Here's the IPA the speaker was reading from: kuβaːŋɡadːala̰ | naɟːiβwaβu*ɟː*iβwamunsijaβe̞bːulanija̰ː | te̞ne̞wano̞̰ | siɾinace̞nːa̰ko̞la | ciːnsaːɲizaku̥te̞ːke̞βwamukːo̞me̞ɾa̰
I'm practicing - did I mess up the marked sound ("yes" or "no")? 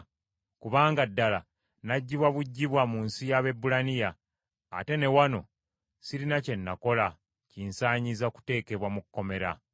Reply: no